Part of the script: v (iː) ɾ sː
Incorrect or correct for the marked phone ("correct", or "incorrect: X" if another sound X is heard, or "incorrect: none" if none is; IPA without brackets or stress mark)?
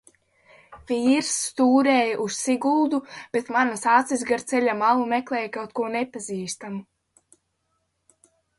correct